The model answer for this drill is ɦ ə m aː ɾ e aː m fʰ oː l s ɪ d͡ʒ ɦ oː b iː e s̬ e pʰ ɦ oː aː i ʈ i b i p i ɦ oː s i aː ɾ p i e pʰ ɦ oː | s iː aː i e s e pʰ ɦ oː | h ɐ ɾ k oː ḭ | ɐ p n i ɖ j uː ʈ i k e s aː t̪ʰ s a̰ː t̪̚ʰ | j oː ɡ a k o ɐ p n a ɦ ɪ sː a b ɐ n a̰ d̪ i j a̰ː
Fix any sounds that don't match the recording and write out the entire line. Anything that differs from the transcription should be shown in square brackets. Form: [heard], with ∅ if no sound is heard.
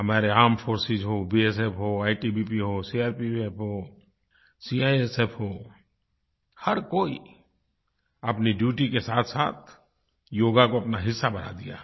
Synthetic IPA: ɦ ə m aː ɾ e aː m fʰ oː [ɾ] s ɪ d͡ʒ ɦ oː b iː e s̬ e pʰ ɦ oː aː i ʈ i b i p i ɦ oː s i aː ɾ p i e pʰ ɦ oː | s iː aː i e s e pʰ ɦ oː | h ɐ ɾ k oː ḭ | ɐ p n i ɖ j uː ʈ i k e s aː t̪ʰ s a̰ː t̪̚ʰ | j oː ɡ a k o ɐ p n a ɦ ɪ sː a b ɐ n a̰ d̪ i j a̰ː